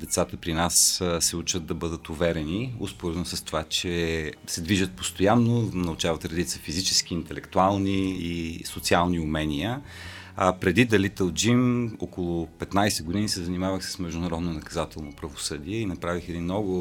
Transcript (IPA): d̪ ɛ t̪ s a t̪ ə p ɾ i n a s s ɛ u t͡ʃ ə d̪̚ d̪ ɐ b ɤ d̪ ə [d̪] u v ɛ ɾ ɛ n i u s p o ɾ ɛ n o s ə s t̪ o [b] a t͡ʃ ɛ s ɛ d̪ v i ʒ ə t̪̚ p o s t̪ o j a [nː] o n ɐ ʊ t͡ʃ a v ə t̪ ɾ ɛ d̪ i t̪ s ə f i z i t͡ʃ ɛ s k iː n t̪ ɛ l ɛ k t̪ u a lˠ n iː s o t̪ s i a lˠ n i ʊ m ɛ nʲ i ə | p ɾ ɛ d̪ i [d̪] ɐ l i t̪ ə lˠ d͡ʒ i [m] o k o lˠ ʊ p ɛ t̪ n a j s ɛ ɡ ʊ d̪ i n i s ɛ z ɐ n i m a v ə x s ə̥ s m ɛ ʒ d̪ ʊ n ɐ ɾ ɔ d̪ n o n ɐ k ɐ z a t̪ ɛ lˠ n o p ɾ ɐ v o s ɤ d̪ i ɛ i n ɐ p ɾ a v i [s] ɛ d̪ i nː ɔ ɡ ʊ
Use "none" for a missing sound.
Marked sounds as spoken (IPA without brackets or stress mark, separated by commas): t̪, v, nː, d̪, m, x